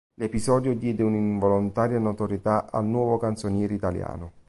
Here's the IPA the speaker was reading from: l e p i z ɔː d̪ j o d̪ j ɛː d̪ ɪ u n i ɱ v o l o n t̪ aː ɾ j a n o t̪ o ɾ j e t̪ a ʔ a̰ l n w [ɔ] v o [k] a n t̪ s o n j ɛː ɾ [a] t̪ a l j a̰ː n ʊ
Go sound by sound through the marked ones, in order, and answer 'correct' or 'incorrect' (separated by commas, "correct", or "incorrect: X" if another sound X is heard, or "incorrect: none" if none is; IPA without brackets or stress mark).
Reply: incorrect: ɔː, correct, incorrect: i